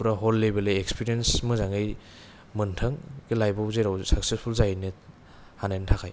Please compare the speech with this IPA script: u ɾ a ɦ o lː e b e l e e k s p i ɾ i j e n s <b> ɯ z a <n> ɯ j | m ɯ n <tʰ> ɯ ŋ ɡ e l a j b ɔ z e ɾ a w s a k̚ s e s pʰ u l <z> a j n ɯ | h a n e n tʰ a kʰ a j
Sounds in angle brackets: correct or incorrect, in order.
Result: incorrect: m, incorrect: ŋ, correct, correct

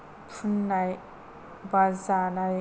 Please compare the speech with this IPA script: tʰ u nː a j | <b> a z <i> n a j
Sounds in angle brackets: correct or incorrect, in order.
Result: correct, incorrect: a

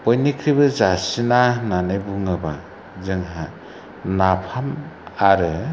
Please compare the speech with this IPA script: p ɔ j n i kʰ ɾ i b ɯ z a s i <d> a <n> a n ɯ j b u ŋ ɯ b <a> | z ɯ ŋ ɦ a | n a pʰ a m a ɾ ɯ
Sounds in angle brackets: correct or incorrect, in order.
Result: incorrect: n, correct, correct

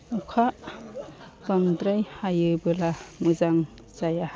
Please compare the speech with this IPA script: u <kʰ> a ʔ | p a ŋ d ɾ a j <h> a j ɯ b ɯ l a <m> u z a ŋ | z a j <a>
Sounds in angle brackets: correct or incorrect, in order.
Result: correct, correct, correct, correct

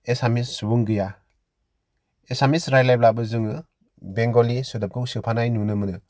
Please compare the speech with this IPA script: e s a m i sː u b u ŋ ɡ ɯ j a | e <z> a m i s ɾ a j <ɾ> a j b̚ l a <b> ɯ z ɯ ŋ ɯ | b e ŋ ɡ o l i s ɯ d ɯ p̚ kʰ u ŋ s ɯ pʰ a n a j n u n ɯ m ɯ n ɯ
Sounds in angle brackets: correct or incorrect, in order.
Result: incorrect: s, incorrect: l, correct

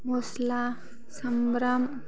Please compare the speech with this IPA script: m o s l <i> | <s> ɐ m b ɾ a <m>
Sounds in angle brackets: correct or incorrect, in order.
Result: incorrect: a, correct, correct

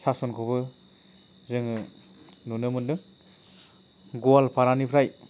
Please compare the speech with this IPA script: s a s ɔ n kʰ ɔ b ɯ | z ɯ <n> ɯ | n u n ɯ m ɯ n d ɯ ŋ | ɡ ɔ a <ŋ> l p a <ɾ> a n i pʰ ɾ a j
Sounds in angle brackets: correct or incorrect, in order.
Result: incorrect: ŋ, incorrect: none, correct

